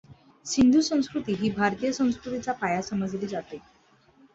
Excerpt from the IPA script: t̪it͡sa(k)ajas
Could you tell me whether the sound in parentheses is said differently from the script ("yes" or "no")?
yes